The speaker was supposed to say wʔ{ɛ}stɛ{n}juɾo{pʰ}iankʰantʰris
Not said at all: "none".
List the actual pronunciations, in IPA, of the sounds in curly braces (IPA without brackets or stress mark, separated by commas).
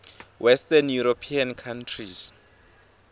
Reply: ɛ, n, pʰ